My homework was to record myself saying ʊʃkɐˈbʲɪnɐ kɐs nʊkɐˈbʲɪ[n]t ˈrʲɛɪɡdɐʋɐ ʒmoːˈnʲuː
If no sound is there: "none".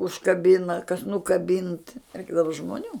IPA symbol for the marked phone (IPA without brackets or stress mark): n